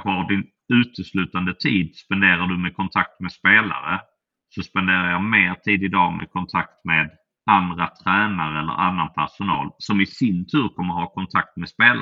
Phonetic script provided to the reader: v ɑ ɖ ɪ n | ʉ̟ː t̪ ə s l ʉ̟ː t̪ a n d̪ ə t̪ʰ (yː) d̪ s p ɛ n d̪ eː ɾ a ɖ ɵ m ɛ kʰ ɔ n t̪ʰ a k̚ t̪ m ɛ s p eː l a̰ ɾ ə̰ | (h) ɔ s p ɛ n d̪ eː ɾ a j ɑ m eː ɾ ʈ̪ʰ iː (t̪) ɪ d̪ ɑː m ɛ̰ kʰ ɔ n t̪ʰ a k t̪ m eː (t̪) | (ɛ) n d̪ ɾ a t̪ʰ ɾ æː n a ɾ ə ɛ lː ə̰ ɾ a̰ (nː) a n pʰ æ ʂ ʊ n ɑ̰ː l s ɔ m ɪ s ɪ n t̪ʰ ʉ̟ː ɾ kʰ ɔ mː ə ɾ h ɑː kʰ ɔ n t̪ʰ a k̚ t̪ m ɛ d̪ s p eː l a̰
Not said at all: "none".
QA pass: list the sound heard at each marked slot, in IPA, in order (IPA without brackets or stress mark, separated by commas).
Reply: iː, s, d̪, d̪, a, nː